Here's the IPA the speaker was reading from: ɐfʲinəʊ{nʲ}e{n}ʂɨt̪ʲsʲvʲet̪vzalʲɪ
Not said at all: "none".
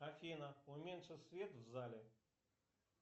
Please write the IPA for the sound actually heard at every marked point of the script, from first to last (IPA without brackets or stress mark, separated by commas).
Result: mʲ, n